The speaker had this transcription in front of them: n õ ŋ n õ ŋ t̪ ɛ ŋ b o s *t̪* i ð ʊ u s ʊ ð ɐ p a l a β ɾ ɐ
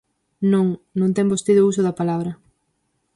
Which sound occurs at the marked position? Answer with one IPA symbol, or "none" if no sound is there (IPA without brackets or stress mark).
t̪